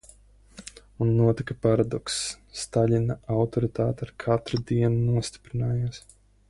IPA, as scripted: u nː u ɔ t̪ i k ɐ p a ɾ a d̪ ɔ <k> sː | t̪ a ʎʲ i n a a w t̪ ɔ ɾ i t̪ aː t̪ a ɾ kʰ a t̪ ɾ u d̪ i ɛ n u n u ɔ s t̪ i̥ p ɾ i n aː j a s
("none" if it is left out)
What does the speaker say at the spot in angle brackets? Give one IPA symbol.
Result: k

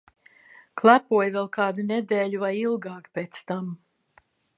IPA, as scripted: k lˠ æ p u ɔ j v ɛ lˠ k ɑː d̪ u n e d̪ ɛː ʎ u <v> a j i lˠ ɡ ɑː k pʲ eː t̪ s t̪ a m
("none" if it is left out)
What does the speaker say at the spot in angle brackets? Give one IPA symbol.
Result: v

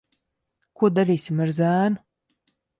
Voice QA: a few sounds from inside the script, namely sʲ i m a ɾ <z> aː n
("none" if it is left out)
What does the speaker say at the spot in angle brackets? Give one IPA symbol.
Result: z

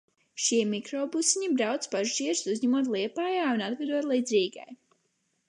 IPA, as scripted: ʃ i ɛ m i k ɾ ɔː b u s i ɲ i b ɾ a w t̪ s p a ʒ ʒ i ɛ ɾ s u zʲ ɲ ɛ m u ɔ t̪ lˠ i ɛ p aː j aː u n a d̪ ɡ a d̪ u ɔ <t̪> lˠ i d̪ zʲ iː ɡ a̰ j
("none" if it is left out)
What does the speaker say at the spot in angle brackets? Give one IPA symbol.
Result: t̪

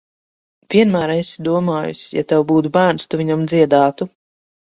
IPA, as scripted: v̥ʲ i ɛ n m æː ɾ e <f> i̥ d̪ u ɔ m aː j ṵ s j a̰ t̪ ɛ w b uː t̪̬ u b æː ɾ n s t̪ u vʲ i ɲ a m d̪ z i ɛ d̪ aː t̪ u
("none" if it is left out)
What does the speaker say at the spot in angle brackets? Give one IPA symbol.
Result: s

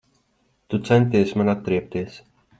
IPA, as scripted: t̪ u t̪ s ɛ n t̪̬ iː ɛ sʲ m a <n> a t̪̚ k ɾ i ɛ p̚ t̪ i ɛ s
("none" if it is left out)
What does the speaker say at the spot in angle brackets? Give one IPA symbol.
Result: n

